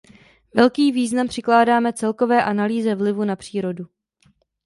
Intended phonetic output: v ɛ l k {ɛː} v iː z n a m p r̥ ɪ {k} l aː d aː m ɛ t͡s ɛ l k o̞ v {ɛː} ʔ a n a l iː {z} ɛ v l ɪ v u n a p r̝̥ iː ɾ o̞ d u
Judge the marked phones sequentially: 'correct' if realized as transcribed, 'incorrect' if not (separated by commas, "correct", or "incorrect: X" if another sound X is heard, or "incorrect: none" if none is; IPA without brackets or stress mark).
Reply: incorrect: iː, correct, correct, correct